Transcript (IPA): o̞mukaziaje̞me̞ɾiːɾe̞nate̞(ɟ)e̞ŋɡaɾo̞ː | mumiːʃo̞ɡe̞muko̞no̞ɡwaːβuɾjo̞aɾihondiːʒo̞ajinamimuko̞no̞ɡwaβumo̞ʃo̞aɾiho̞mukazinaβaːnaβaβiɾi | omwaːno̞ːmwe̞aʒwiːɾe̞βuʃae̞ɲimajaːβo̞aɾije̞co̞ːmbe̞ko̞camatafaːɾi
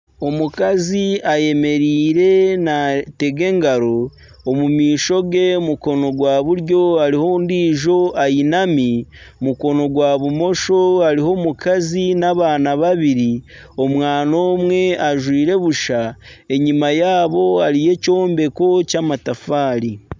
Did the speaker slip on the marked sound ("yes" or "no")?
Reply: yes